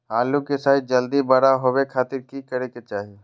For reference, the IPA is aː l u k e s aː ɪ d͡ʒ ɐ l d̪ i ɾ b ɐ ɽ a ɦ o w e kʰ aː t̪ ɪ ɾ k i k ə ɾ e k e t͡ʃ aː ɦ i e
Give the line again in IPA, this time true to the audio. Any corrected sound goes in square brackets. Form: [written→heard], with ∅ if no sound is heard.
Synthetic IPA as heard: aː l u k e s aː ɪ d͡ʒ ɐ l d̪ i [ɾ→∅] b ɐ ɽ a ɦ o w e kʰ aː t̪ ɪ ɾ k i k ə ɾ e k e t͡ʃ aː ɦ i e